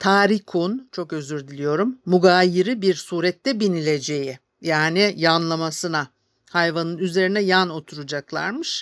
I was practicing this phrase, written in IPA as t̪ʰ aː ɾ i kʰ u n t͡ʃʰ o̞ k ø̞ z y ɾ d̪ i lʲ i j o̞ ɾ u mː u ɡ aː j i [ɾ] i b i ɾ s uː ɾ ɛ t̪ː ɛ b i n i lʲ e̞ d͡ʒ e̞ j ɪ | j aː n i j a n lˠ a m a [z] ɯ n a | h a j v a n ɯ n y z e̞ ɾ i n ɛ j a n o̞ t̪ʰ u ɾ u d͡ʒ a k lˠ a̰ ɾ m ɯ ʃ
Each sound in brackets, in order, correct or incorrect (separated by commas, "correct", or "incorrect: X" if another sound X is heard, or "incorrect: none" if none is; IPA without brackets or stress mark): correct, incorrect: s